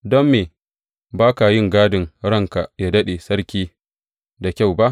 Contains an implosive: yes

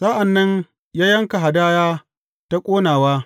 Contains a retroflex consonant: no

